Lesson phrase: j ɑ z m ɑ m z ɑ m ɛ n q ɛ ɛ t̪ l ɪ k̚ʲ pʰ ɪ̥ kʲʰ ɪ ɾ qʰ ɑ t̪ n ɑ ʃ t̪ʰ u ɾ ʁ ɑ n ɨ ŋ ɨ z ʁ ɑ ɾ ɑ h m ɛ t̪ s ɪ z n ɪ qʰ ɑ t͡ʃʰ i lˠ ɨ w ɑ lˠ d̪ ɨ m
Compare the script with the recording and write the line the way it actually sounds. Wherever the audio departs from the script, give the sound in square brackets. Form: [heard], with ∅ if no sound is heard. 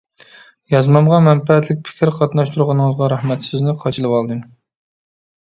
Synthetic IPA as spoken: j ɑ z m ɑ m [ʁ] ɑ m ɛ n [p] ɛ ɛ t̪ l ɪ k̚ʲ pʰ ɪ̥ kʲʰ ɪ ɾ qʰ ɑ t̪ n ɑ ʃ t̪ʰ u ɾ ʁ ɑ n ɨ ŋ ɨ z ʁ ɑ ɾ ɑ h m ɛ t̪ s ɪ z n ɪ qʰ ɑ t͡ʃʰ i lˠ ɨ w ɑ lˠ d̪ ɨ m